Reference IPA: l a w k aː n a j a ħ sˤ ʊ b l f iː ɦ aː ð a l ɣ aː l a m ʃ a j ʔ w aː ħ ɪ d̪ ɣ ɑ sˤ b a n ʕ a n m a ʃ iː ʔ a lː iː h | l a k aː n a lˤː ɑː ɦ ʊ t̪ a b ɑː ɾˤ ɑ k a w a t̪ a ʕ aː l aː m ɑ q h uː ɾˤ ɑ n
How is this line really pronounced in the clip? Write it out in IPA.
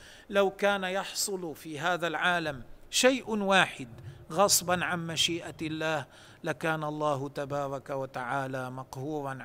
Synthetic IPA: l a w k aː n a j ɑ ħ sˤ ʊ l f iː ɦ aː ð a l ʕ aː l a m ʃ a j ʔ w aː ħ ɪ d̪ ɣ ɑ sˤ b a n ʕ a n m a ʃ iː ʔ a lː aː h | l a k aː n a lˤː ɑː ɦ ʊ t̪ a b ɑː ɾˤ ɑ k a w a t̪ a ʕ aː l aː m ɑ q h uː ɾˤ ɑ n